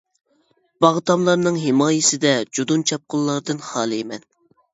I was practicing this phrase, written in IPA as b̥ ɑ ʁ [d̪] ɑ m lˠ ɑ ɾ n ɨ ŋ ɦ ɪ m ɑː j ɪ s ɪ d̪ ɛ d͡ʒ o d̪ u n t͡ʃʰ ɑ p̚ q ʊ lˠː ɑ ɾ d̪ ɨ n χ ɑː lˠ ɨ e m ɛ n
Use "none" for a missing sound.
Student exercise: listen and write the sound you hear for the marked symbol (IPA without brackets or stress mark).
t̪